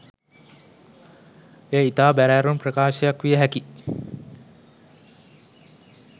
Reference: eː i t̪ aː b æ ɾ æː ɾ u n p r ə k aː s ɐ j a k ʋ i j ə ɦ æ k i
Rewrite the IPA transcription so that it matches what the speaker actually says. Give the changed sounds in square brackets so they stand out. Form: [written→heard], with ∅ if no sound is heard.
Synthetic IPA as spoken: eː i t̪ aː b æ ɾ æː ɾ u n p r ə k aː [s→ʃ] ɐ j a k ʋ i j ə ɦ æ k i